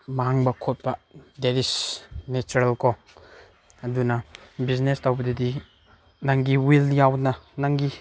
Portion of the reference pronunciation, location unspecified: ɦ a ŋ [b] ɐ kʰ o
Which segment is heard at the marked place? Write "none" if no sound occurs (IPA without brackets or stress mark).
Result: b